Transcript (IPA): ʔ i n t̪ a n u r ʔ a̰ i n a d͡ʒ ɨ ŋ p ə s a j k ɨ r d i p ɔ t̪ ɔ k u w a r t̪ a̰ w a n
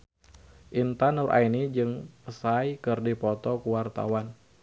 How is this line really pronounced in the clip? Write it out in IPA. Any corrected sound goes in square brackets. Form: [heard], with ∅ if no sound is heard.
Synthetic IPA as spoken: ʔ i n t̪ a n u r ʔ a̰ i n [i] d͡ʒ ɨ ŋ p ə s a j k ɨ r d i p ɔ t̪ ɔ k u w a r t̪ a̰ w a n

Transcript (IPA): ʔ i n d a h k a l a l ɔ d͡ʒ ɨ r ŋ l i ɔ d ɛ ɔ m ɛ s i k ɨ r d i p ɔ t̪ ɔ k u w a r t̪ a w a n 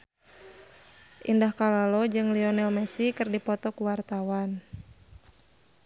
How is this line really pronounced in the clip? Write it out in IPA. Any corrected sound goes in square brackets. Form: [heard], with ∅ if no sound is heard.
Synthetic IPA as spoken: ʔ i n d a h k a l a l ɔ d͡ʒ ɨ [∅] ŋ l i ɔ [n] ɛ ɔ m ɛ s i k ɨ r d i p ɔ t̪ ɔ k u w a r t̪ a w a n

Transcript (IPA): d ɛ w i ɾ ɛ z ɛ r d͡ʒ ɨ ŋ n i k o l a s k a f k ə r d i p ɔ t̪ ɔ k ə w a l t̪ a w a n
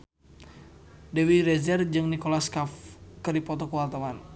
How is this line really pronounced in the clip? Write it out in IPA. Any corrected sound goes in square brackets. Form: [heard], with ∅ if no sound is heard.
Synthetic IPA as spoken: d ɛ w i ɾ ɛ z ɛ r d͡ʒ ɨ ŋ n i k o l a s k a f k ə r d i p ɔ t̪ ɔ k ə w a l t̪ a w a n

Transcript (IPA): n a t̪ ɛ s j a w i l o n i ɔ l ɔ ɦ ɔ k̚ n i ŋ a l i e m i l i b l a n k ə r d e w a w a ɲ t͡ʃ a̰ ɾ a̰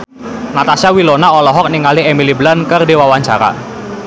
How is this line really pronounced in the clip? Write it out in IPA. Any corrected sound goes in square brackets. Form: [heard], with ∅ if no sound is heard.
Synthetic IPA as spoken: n a t̪ [a] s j a w i l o n [a] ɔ l ɔ ɦ ɔ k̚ n i ŋ a l i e m i l i b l a n k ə r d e w a w a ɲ t͡ʃ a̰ ɾ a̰

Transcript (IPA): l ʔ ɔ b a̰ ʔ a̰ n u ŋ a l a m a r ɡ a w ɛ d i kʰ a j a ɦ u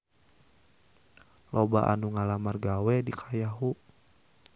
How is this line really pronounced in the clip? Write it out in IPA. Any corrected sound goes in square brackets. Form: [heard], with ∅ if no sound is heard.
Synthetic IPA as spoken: l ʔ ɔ b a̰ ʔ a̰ n u ŋ a l a m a r ɡ a w ɛ d i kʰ a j a ɦ u

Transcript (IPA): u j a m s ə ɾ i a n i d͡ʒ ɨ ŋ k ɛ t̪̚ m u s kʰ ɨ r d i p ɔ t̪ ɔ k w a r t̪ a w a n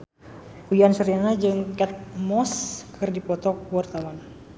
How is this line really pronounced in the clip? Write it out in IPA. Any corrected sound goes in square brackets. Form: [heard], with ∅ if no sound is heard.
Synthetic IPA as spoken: u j a [n] s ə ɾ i a n [a] d͡ʒ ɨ ŋ k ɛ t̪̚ m [ɔ] s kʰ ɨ r d i p ɔ t̪ ɔ k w a r t̪ a w a n

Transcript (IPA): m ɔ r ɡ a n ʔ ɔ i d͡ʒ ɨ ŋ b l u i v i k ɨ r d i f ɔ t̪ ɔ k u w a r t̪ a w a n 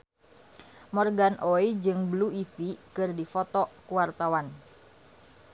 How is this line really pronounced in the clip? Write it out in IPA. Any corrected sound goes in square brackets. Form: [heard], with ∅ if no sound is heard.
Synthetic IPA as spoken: m ɔ r ɡ a n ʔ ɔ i d͡ʒ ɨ ŋ b l u i [f] i k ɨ r d i f ɔ t̪ ɔ k u w a r t̪ a w a n

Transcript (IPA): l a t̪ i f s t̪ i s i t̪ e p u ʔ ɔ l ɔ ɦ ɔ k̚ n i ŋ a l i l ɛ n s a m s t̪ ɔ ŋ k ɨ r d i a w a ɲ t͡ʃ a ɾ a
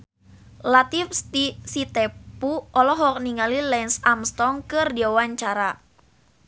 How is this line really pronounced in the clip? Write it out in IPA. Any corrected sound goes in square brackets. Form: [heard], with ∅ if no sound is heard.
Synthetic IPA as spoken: l a t̪ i f s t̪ i s i t̪ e p u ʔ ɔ l ɔ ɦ ɔ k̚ n i ŋ a l i l ɛ n s a m s t̪ ɔ ŋ k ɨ r d i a w a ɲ t͡ʃ a ɾ a

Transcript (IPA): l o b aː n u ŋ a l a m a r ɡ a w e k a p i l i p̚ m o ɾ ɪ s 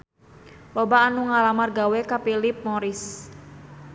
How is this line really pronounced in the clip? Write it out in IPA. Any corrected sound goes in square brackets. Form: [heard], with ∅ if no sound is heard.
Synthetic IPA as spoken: l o b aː n u ŋ a l a m a r ɡ a w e k a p i l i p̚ m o ɾ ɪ s

